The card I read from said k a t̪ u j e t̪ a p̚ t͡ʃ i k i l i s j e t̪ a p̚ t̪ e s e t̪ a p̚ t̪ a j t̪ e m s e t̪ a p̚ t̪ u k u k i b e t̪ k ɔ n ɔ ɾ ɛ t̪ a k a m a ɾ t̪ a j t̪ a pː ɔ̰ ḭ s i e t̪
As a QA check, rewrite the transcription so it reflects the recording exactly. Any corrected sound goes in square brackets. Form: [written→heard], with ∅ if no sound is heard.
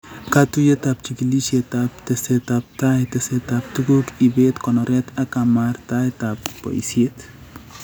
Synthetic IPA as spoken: k a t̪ u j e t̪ a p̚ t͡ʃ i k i l i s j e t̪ a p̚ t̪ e s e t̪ a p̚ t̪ a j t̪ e [m→∅] s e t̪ a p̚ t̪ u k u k i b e t̪ k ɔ n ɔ ɾ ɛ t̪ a k a m a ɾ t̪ a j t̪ a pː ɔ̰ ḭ s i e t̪